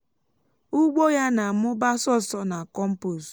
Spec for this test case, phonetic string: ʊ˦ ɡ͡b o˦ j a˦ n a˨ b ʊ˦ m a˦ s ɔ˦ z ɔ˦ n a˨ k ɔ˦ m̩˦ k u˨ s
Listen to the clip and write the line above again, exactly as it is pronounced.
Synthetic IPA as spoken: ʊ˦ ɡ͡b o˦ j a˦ n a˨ m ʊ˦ b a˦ s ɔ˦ s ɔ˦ n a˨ k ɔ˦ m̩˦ p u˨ s